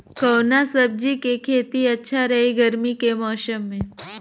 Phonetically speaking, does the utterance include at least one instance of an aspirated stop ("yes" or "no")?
yes